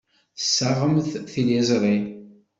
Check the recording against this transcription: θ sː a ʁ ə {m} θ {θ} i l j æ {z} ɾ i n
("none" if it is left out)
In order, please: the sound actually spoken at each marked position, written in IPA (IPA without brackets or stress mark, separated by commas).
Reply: m, θ, z